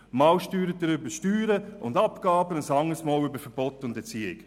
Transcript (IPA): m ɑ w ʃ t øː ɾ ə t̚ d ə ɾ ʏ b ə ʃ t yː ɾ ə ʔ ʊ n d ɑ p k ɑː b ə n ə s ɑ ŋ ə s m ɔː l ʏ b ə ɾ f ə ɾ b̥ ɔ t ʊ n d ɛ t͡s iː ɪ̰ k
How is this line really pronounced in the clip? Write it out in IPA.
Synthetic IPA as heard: m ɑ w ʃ t yː ɾ ə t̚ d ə ɾ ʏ b ə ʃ t yː ɾ ə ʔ ʊ n d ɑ p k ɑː b ə n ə s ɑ ŋ ə s m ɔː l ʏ b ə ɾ f ə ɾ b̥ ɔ t ʊ n d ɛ t͡s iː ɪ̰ k